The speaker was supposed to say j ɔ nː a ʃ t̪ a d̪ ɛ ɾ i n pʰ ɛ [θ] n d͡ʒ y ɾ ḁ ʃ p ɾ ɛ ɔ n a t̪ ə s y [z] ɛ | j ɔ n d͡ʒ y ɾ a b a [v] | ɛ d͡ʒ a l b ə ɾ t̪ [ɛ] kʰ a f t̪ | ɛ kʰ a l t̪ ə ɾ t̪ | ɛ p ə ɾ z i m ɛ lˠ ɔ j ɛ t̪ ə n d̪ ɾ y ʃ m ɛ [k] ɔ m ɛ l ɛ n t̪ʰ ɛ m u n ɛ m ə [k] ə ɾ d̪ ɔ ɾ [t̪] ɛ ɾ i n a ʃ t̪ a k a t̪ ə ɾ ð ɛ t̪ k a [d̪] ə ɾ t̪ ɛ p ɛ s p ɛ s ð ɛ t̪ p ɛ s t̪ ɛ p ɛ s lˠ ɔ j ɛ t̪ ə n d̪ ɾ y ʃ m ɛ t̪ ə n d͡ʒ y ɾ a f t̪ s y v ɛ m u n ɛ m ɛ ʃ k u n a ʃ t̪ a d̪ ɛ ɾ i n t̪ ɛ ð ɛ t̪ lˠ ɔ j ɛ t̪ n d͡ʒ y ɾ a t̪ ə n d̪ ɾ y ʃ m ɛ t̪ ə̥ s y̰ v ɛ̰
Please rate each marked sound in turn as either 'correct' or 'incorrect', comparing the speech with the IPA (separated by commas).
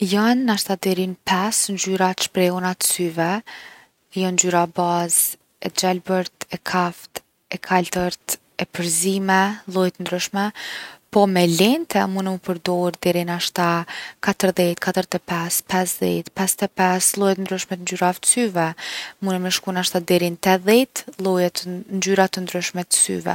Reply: incorrect, incorrect, incorrect, correct, incorrect, incorrect, incorrect, incorrect